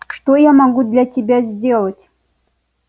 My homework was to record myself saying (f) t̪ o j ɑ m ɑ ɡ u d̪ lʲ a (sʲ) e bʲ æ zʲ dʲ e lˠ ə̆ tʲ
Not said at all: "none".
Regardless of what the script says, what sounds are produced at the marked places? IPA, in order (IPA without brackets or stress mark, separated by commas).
ʂ, tʲ